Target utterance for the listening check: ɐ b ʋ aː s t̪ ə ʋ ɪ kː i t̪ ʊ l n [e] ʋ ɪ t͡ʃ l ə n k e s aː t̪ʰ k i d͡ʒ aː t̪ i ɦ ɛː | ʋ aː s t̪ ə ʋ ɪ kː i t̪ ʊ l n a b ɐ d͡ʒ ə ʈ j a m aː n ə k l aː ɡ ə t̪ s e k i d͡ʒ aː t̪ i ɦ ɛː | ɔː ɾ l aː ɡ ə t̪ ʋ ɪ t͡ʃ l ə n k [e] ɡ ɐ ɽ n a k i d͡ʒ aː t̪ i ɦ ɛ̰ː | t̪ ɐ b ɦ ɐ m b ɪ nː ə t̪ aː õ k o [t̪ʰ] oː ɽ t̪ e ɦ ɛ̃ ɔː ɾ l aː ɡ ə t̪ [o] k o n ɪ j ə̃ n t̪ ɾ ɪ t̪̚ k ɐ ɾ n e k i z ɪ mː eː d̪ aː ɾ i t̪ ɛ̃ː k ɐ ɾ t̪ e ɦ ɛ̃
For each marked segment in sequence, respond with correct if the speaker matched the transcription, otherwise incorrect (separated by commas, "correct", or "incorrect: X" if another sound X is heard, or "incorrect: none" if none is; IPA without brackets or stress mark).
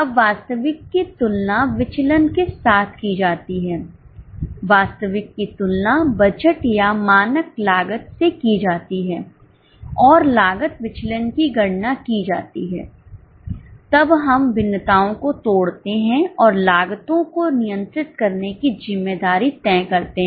incorrect: a, incorrect: i, incorrect: t̪, incorrect: õ